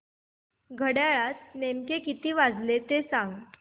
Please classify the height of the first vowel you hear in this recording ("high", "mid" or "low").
mid